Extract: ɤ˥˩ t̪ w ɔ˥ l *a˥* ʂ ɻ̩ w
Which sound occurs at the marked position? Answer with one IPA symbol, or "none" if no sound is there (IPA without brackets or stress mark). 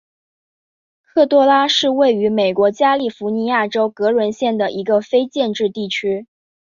a˥